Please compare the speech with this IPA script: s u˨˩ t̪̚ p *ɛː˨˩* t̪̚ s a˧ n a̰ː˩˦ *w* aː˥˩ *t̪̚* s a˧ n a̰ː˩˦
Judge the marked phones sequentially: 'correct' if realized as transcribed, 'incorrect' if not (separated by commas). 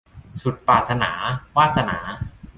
incorrect, correct, correct